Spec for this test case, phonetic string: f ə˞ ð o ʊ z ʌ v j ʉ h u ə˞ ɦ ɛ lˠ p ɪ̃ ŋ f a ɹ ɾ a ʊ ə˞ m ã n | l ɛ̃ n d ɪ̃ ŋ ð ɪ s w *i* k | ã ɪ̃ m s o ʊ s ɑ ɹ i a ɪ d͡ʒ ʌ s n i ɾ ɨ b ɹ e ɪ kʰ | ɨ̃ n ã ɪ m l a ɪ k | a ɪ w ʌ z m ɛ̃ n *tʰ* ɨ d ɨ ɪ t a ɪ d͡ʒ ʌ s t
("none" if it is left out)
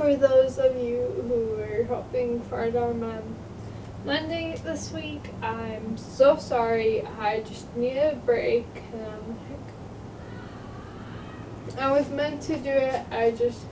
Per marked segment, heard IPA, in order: i, tʰ

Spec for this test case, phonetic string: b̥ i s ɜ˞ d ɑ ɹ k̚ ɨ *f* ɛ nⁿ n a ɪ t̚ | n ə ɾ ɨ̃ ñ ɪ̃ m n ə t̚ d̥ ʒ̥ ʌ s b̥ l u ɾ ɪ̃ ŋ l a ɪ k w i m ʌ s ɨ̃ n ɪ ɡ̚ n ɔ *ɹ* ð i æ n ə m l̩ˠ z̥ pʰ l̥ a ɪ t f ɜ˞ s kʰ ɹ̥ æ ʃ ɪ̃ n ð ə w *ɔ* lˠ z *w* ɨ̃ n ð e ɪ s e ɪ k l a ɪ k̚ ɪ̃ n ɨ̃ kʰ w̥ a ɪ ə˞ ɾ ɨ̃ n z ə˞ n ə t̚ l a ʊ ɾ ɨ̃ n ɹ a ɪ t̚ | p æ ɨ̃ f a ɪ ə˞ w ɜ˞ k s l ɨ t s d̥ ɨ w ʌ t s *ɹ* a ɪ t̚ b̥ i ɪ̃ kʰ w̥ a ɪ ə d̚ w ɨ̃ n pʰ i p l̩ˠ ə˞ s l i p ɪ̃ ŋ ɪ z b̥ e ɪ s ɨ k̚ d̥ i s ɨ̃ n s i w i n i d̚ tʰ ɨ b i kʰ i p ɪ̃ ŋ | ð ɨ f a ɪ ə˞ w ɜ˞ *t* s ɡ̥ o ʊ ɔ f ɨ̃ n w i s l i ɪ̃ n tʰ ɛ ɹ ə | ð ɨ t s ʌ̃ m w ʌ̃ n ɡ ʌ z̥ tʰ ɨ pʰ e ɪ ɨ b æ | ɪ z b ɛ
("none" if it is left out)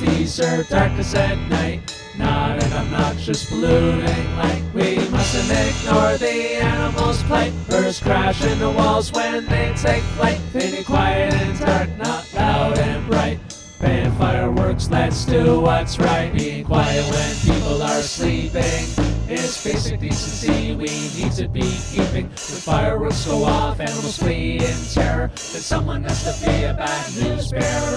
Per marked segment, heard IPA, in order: s, ɹ, ɔ, w, ɹ, k

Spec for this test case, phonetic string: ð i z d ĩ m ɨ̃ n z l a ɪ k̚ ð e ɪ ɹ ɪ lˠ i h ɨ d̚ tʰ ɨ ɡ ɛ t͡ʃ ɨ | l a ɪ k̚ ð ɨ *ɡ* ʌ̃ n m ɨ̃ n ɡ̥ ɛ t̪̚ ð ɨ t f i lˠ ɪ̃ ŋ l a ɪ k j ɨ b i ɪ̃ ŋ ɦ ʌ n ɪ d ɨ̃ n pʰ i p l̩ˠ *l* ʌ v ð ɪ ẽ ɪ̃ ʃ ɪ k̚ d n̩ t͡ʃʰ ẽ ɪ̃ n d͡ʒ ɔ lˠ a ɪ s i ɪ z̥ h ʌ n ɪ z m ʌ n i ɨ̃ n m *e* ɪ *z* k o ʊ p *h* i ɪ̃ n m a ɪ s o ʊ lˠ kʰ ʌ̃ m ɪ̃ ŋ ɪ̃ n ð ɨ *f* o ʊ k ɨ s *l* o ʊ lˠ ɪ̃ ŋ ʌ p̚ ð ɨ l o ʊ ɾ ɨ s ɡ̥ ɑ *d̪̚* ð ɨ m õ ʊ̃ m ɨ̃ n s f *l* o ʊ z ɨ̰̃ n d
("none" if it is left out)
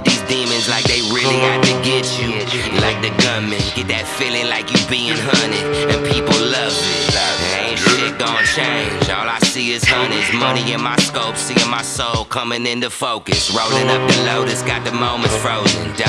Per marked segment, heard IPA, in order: ɡ, l, a, s, s, f, ɹ, t̪̚, ɹ

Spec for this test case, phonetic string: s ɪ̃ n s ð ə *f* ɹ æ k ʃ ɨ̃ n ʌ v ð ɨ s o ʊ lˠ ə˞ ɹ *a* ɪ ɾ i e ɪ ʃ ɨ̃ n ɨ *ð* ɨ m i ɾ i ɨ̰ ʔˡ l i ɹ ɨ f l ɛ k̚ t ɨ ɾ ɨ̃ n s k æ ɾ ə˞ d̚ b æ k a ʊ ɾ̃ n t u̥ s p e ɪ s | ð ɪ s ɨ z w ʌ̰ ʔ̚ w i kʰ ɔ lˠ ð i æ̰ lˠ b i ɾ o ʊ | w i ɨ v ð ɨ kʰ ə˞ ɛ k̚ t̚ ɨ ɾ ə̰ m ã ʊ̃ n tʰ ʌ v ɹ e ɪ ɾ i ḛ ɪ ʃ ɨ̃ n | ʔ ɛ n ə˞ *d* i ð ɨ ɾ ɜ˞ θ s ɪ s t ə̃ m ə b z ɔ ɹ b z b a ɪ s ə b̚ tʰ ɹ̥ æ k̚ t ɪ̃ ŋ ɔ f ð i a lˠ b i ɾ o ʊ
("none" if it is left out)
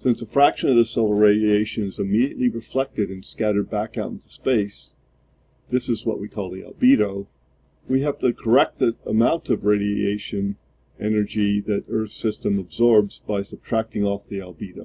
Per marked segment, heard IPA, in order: f, e, z, d͡ʒ

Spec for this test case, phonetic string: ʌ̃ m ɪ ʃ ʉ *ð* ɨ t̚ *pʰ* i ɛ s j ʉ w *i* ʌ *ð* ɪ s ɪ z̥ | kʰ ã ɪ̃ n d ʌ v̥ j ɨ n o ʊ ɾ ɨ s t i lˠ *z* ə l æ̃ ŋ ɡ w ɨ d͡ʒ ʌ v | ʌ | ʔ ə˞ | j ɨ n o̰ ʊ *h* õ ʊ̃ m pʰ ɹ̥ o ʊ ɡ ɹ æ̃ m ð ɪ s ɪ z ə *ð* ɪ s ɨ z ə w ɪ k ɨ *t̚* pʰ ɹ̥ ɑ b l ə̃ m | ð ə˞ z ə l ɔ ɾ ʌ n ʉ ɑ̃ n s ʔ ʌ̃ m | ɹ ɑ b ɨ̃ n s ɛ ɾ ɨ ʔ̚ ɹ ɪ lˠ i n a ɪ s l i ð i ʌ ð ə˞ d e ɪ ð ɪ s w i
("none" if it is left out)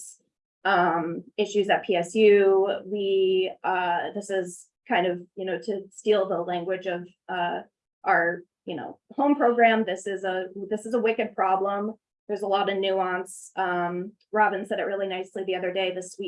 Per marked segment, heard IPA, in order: z, pʰ, i, ð, ð, h, ð, d̚

